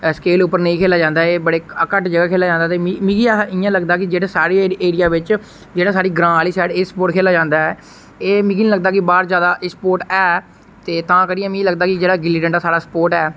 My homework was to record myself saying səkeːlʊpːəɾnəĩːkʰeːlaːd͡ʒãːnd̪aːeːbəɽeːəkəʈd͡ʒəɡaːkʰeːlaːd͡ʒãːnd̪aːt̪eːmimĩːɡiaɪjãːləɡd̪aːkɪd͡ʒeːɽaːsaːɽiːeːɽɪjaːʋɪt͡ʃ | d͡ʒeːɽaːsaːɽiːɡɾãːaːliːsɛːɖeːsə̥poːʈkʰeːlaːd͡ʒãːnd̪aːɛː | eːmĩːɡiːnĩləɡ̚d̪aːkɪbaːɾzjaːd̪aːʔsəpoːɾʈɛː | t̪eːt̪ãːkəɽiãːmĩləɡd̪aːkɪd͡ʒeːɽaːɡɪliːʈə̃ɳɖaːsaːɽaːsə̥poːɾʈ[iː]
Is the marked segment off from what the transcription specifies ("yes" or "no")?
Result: yes